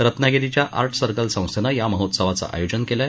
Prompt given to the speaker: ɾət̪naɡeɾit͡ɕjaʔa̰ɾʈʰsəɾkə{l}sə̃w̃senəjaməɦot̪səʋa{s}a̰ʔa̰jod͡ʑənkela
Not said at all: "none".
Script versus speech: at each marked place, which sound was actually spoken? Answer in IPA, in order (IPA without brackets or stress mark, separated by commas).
l, t͡s